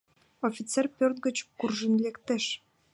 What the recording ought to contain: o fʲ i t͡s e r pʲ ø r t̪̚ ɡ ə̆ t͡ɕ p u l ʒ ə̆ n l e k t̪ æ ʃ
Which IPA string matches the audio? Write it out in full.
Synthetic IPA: o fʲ i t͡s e r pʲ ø r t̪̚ ɡ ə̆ t͡ɕ k u r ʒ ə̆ n l e k t̪ e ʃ

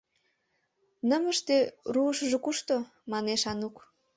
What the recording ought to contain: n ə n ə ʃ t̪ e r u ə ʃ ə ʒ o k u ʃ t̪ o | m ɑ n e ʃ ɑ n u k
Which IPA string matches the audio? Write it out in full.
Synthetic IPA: n ə m ə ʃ t̪ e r u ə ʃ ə ʒ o k u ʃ t̪ o | m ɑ n e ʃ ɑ n u k

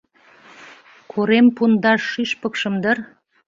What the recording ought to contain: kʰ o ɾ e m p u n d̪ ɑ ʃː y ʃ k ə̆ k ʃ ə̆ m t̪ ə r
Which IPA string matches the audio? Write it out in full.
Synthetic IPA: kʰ o ɾ e m p u n d̪ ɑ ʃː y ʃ p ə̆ k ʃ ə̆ m d̪ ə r

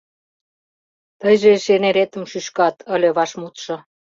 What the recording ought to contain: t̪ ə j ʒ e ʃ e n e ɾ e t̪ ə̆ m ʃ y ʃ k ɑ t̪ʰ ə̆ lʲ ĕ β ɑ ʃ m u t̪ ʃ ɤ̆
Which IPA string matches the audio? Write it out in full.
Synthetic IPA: t̪ ə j ʒ e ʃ e n e ɾ e t̪ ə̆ m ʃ y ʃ k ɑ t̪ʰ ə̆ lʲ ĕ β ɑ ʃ m u t̪ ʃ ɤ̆

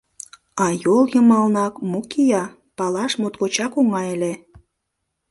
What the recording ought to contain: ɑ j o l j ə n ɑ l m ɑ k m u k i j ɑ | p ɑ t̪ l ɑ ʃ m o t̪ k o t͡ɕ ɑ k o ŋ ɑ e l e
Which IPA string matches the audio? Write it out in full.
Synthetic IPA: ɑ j o l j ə m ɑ l n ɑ k m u k i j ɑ | p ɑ l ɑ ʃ m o t̪ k o t͡ɕ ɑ k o ŋ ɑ e l e

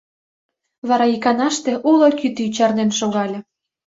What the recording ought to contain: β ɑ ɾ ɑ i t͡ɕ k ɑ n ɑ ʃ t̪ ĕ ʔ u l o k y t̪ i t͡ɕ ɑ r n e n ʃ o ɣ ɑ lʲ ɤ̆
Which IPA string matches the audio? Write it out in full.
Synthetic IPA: β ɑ ɾ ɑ i k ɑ n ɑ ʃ t̪ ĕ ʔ u l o k y t̪ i t͡ɕ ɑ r n e n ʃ o ɣ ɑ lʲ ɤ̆

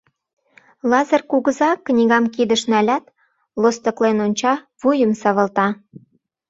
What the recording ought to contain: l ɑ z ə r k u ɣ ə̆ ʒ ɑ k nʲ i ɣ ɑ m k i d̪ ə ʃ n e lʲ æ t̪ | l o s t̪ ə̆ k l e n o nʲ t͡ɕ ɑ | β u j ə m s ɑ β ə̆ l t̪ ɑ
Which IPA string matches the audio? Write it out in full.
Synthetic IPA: l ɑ z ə r k u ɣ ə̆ z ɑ k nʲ i ɣ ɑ m k i d̪ ə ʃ n æ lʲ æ t̪ | l o s t̪ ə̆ k l e n o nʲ t͡ɕ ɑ | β u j ə m s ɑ β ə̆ l t̪ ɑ

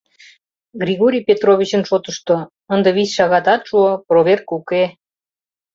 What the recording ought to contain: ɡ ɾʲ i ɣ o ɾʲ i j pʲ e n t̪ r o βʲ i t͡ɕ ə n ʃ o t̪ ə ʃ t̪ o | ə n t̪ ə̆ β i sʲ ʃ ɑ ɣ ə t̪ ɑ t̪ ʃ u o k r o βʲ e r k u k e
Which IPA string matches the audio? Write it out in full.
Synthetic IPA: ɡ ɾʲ i ɣ o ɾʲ i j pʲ e t̪ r o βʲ i t͡ɕ ə n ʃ o t̪ ə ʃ t̪ o | ə n d̪ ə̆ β i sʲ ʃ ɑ ɣ ɑ t̪ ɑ t̪ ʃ u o p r o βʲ e r k u k e

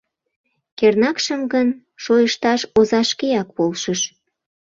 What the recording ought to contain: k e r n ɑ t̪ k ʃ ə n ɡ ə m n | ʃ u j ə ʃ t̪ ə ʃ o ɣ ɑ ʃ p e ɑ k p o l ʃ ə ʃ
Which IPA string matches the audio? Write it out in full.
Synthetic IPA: k e r n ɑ k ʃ ə m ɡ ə n | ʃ o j ə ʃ t̪ ɑ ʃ o z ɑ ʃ k e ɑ k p o l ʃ ə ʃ

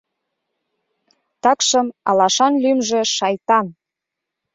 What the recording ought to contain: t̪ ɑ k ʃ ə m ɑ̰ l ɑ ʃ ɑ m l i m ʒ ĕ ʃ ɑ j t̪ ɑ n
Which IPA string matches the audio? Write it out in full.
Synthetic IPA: t̪ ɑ k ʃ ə m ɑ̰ l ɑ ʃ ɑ n l y m ʒ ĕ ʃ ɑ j t̪ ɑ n

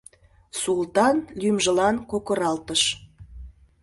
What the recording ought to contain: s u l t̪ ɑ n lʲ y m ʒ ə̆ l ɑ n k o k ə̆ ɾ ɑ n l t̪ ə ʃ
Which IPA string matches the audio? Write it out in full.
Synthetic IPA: s u l t̪ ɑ n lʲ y m ʒ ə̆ l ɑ n k o k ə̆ ɾ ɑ l t̪ ə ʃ

